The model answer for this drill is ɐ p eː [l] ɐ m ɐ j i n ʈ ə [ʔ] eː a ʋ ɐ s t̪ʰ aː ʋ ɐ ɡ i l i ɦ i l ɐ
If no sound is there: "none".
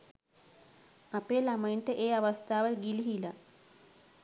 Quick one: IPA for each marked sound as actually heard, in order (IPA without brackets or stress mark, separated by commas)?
l, ʔ